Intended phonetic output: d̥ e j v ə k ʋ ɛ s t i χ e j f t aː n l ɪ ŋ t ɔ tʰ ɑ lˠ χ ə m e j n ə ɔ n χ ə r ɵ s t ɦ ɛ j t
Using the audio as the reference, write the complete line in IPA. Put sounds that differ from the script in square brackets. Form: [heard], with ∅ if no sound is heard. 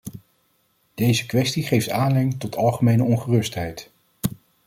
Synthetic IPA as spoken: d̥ e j [z] ə k ʋ ɛ s t i χ e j f t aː n l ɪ ŋ t ɔ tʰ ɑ lˠ χ ə m e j n ə ɔ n χ ə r ɵ s t ɦ ɛ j t